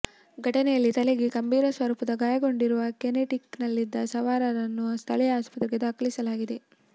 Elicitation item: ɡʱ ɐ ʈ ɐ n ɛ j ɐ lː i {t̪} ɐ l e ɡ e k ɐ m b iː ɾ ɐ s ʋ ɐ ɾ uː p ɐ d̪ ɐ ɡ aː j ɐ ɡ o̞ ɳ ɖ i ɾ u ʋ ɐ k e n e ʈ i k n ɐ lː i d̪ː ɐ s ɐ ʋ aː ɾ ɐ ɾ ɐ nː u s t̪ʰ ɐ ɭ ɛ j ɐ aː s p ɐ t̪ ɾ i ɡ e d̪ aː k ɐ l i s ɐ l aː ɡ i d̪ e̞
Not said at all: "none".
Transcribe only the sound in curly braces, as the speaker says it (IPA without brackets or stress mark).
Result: t̪